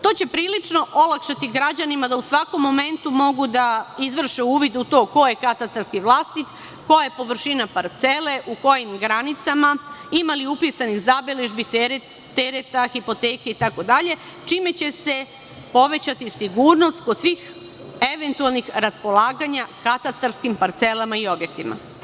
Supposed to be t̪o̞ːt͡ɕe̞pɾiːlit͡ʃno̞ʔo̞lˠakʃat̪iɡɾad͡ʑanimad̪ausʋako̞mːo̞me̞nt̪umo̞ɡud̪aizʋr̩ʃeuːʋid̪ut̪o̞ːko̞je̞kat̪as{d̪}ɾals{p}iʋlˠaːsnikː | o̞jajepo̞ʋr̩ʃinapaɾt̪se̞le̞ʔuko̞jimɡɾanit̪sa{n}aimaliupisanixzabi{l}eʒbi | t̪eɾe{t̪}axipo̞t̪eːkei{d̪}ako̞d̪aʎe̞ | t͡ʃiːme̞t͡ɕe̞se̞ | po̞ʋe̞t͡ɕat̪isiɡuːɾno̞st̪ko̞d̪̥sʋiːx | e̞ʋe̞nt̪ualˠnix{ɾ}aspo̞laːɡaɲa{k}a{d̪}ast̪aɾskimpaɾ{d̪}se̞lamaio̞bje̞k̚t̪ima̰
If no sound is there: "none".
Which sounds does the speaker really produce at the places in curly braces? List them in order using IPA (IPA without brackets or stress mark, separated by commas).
t̪, k, m, l, t̪, t̪, ɾ, k, t̪, t̪